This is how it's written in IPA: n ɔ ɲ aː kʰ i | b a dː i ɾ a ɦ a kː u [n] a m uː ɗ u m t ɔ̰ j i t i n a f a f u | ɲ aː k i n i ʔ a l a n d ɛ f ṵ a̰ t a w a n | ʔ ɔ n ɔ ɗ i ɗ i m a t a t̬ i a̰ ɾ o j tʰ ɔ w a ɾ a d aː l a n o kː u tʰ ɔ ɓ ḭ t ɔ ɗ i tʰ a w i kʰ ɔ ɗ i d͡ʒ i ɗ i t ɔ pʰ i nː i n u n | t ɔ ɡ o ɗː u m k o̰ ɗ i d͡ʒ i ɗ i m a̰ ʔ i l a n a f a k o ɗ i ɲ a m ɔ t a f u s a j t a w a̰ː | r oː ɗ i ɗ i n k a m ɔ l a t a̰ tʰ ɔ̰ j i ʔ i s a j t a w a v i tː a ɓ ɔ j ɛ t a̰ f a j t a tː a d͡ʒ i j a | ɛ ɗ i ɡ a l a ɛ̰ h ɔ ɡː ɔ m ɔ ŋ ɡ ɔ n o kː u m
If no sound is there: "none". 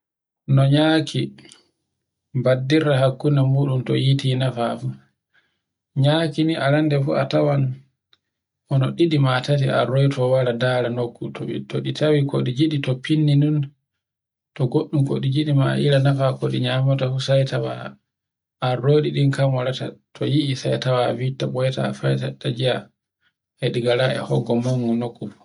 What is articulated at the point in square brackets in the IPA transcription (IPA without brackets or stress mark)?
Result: n